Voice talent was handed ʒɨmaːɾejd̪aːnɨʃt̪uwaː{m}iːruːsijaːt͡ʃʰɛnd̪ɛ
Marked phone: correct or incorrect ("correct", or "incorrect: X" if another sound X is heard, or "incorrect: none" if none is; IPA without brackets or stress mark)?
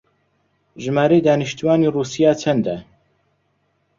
incorrect: n